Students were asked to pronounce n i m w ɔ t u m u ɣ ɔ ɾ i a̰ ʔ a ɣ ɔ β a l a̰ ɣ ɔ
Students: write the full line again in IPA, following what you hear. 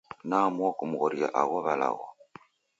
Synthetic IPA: n a m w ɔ k u m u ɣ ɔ ɾ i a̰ ʔ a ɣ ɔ β a l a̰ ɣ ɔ